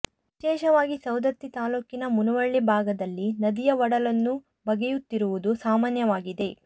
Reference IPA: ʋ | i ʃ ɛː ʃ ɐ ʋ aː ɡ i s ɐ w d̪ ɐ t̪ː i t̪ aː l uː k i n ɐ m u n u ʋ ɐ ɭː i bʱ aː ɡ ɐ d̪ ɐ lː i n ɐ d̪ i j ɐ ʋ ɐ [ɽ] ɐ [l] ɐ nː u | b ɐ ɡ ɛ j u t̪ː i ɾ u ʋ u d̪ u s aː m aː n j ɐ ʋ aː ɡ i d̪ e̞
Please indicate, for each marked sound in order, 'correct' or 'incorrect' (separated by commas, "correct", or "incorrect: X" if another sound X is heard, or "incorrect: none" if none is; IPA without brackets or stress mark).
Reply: correct, correct